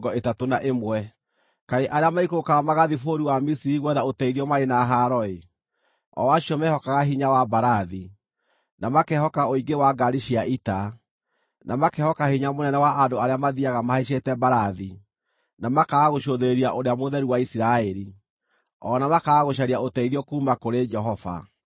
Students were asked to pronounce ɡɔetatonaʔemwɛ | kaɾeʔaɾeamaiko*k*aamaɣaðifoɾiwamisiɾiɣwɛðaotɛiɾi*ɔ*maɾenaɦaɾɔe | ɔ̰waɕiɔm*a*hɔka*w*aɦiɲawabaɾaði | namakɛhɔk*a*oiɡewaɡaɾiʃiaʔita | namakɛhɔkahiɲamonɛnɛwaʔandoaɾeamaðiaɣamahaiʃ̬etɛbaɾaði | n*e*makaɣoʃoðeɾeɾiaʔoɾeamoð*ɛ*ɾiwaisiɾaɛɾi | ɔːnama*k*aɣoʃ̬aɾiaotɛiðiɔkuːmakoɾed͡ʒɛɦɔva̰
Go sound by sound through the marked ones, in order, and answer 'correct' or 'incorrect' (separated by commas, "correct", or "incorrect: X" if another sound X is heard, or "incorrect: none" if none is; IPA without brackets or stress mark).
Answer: correct, correct, incorrect: ɛ, incorrect: ɣ, correct, incorrect: a, correct, correct